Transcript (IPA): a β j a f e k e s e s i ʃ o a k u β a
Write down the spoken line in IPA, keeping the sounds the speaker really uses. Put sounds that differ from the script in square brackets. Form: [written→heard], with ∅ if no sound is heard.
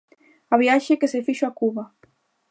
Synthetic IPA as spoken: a β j a [f→ʃ] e k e s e [s→f] i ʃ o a k u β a